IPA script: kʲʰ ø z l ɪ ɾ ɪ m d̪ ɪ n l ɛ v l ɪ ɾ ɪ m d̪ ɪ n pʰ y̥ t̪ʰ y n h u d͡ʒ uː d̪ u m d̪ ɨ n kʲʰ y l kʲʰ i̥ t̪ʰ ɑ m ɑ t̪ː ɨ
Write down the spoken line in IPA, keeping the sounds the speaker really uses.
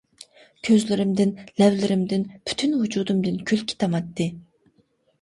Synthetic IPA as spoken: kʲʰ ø z l ɪ ɾ ɪ m d̪ ɪ n l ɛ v l ɪ ɾ ɪ m d̪ ɪ n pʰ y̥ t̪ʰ y n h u d͡ʒ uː d̪ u m d̪ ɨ n kʲʰ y l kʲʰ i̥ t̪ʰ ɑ m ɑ t̪ː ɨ

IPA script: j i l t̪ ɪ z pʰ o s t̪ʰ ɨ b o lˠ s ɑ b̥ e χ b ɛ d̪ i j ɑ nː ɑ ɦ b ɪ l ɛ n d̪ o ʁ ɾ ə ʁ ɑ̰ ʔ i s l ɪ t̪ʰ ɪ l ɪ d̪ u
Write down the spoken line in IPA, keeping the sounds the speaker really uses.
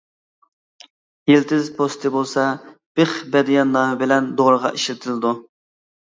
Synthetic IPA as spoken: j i l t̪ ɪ z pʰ o s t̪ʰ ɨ b o lˠ s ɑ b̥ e χ b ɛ d̪ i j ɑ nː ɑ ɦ b ɪ l ɛ n d̪ o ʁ ɾ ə ʁ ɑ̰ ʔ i ʃ l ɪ t̪ʰ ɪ l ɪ d̪ u

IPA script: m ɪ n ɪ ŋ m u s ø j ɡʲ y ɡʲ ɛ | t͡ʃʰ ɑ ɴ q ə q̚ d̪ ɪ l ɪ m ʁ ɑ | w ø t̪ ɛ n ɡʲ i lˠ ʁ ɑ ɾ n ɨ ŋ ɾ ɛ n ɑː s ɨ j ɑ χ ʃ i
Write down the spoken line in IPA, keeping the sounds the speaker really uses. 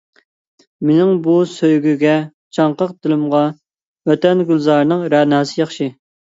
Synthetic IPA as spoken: m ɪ n ɪ ŋ b u s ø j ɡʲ y ɡʲ ɛ | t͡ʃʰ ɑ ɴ q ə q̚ d̪ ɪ l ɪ m ʁ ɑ | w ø t̪ ɛ n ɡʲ y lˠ z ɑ ɾ n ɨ ŋ ɾ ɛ n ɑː s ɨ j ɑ χ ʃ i

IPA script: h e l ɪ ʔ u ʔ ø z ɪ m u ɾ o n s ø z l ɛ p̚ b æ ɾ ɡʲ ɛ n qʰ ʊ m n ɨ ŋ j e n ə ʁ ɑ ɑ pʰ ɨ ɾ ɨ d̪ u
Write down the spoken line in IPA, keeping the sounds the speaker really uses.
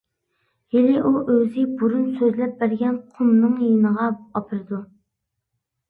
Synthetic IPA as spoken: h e l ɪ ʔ u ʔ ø z ɪ b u ɾ u n s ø z l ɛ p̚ b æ ɾ ɡʲ ɛ n qʰ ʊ m n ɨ ŋ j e n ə ʁ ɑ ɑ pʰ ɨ ɾ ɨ d̪ u

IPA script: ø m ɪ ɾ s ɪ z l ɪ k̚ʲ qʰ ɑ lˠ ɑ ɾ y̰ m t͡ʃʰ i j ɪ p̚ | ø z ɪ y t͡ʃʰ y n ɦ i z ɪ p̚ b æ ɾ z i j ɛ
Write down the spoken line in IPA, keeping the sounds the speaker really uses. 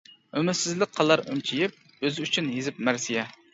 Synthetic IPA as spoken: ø m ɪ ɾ s ɪ z l ɪ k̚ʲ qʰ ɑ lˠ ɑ ɾ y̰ m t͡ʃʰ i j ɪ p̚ | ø z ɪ y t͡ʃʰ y n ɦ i z ɪ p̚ m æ ɾ s i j ɛ

